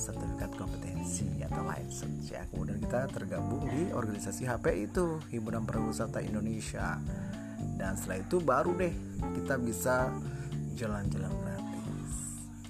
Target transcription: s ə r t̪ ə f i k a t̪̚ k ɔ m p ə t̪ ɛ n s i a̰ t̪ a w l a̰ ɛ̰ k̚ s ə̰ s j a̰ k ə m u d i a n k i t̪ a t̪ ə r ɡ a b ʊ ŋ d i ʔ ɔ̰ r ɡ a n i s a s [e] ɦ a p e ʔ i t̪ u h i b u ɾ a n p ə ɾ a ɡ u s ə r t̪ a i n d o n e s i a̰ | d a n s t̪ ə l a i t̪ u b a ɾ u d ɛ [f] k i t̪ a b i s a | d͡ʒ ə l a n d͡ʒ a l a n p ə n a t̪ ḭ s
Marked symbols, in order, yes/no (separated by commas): no, no